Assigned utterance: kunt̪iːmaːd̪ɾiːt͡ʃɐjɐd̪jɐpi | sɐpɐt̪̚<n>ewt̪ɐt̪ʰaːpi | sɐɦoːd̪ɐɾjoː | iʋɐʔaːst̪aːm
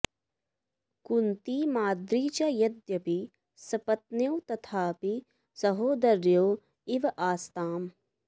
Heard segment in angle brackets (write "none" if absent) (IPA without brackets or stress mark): n